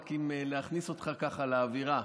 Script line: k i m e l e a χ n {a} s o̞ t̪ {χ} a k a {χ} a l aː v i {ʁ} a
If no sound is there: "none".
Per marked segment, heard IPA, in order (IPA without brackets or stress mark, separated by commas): i, χ, χ, ʁ